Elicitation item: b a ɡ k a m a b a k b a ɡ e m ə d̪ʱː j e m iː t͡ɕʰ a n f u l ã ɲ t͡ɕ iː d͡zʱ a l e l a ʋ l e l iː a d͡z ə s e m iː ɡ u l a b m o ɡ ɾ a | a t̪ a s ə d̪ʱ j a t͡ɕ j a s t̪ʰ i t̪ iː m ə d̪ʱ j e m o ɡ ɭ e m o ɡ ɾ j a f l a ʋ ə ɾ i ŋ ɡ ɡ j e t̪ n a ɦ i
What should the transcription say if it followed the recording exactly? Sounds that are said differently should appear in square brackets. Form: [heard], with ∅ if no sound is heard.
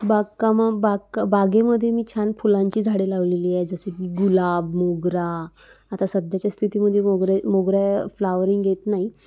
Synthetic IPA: b a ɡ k a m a b a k b a ɡ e m ə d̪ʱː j e m iː t͡ɕʰ a n f u l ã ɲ t͡ɕ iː d͡zʱ a [ɽ] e l a ʋ l e l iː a d͡z ə s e m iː ɡ u l a b m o ɡ ɾ a | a t̪ a s ə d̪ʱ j a t͡ɕ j a s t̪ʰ i t̪ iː m ə d̪ʱ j e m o ɡ [ɾ] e m o ɡ ɾ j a f l a ʋ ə ɾ i ŋ ɡ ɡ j e t̪ n a ɦ i